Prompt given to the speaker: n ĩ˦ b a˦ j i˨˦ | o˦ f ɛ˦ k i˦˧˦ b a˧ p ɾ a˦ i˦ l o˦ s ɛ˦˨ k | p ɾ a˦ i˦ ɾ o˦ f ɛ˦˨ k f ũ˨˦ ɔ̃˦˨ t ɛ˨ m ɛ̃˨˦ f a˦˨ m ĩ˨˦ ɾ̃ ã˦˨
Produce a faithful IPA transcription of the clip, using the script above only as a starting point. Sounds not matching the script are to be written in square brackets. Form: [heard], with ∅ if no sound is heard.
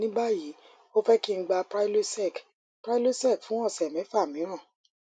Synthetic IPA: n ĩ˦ b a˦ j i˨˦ | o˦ f ɛ˦ k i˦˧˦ [ɡ͡b] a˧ p ɾ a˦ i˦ l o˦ s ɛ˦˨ k | p ɾ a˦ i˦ [l] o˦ [s] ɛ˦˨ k f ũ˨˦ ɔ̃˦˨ [s] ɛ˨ m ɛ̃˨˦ f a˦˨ m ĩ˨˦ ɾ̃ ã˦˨